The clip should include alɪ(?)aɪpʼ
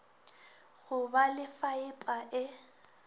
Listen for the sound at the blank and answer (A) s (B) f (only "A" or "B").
B